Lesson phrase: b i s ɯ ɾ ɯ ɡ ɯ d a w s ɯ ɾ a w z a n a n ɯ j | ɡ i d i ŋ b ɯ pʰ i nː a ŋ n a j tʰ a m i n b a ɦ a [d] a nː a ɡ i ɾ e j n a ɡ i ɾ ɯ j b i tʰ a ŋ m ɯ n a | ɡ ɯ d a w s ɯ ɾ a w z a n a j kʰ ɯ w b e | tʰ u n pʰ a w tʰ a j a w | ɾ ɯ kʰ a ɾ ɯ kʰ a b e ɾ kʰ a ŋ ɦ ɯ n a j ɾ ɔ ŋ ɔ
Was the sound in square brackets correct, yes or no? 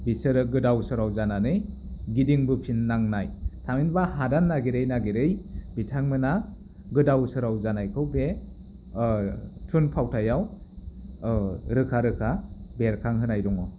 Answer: yes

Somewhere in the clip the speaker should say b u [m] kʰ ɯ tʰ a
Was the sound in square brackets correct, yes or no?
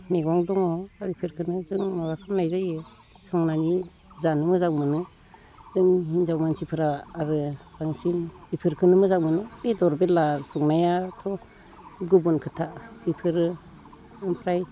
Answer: no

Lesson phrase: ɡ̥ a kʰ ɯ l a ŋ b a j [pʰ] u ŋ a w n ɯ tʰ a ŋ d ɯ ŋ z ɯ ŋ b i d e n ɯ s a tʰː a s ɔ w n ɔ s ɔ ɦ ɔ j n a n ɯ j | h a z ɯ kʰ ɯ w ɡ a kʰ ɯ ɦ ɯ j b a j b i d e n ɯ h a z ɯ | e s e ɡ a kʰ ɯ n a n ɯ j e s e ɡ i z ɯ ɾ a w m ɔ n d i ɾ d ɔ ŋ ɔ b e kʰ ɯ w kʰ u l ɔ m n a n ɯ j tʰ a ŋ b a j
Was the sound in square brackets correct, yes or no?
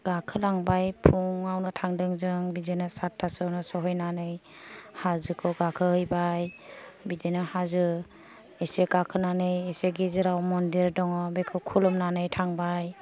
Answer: yes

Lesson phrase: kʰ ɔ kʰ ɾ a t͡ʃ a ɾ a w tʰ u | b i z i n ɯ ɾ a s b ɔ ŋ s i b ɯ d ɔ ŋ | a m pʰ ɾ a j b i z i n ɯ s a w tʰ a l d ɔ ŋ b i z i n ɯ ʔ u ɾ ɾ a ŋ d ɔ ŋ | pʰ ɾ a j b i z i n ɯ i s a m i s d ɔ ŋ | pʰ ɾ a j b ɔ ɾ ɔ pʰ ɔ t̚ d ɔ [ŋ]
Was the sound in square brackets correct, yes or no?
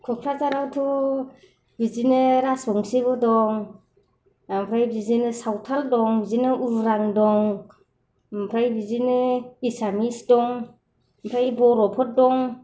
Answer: yes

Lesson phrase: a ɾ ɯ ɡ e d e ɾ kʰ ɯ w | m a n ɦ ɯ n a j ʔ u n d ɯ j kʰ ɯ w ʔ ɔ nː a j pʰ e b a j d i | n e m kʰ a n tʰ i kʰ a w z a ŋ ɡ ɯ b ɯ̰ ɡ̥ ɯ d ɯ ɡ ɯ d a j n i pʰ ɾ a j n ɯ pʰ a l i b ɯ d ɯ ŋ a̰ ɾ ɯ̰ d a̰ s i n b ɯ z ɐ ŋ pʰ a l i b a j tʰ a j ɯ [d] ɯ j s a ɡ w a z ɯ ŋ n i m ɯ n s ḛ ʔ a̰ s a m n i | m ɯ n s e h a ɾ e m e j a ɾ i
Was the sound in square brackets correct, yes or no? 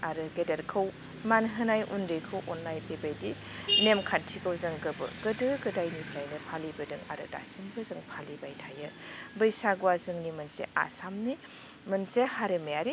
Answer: no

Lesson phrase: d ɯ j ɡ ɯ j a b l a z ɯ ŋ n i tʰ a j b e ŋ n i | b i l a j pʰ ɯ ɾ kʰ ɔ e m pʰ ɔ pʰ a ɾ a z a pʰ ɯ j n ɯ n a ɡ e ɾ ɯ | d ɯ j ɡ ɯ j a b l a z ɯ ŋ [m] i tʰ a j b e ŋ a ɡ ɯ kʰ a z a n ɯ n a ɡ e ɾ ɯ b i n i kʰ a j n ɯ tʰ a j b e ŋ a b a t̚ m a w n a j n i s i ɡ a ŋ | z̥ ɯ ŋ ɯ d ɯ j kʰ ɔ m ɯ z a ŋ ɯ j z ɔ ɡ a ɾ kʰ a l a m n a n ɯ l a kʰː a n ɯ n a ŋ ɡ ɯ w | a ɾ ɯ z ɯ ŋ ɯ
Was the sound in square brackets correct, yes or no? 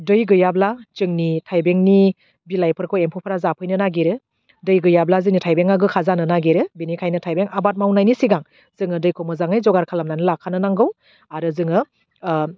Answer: no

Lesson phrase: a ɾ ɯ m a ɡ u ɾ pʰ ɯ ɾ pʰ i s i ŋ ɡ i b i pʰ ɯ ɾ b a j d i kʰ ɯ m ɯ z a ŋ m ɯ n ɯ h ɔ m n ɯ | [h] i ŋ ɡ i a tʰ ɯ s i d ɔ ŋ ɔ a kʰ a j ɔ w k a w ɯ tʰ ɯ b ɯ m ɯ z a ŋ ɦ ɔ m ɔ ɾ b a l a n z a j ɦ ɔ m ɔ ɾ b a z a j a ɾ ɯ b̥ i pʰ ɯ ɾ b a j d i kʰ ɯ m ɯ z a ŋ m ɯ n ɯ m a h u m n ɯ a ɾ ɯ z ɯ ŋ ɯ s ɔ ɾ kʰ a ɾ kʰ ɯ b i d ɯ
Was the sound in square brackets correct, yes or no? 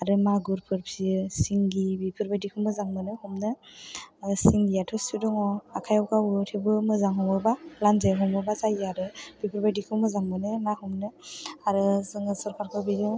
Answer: no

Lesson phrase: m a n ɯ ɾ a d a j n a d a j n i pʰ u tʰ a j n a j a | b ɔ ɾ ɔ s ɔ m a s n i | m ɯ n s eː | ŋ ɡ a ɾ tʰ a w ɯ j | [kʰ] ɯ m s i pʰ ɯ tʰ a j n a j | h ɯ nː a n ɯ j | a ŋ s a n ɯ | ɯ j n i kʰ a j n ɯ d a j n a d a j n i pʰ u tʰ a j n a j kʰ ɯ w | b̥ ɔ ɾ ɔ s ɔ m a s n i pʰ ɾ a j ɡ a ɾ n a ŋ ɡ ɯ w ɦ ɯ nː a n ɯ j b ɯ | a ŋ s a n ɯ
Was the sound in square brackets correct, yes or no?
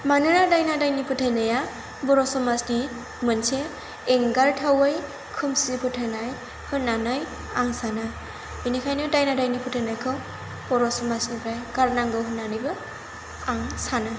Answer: yes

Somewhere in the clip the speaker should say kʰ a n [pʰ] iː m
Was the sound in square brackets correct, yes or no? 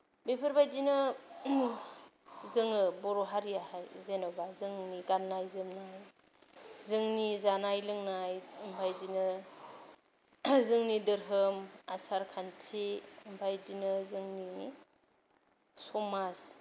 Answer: no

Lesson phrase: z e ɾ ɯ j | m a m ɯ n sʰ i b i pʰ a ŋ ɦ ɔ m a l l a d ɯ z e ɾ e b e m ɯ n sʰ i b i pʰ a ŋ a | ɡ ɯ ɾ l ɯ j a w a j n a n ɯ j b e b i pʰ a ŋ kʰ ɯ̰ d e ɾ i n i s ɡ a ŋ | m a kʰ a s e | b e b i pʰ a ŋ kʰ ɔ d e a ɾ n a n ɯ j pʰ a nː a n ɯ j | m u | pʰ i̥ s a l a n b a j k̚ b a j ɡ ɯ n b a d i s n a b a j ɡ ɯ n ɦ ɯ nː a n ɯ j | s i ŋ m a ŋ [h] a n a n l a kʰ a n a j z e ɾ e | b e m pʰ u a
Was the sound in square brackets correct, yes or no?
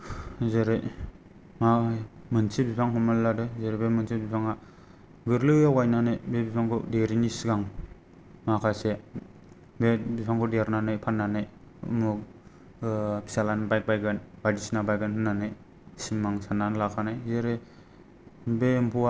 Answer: no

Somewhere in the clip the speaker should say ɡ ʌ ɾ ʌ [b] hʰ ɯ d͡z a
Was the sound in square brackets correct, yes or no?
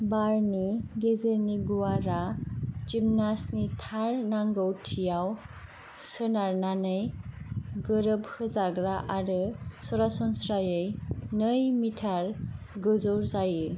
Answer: yes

